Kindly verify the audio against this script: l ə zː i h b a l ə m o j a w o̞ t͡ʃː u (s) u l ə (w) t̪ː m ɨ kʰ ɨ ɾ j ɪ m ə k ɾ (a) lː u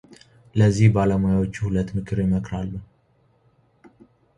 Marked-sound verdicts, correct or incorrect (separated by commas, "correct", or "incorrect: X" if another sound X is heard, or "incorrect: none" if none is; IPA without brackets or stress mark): incorrect: h, incorrect: none, correct